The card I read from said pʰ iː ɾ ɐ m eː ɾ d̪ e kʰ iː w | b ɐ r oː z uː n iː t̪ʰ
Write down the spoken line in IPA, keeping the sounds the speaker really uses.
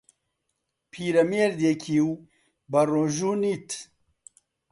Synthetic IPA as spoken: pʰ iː ɾ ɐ m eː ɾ d̪ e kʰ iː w | b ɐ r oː ʒ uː n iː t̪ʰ